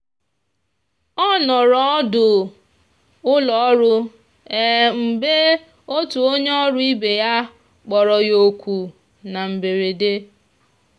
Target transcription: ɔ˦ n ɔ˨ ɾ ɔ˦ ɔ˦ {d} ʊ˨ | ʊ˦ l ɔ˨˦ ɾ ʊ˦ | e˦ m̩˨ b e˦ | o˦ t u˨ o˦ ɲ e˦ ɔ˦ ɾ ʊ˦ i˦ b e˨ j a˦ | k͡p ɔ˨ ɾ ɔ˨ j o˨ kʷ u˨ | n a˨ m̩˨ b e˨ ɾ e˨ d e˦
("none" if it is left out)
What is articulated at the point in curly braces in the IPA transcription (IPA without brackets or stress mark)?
d